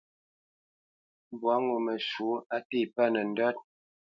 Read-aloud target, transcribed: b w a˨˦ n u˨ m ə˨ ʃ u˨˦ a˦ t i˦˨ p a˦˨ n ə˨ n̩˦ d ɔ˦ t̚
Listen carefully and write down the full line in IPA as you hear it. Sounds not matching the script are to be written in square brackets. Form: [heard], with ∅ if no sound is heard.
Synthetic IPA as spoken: b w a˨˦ [ŋ] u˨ m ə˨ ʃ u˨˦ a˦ t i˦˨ p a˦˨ n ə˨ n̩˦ d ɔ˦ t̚